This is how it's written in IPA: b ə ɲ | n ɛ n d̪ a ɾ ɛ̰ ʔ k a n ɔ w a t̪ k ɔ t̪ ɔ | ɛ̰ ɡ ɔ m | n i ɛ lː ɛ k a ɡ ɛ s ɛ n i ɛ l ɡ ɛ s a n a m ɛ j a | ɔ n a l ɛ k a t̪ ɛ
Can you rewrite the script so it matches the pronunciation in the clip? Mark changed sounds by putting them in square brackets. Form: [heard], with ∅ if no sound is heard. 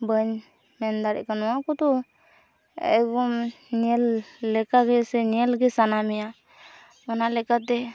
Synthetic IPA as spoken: b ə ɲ | [m] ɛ n d̪ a ɾ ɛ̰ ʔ k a n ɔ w a [∅] k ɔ t̪ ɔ | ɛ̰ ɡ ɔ m | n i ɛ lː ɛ k a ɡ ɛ s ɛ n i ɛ l ɡ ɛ s a n a m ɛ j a | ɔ n a l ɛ k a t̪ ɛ